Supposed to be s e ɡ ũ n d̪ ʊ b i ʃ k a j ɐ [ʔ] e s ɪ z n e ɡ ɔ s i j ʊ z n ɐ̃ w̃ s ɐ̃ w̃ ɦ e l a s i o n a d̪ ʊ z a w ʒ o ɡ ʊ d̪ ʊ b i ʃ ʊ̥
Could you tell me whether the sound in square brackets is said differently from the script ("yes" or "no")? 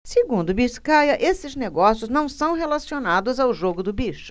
no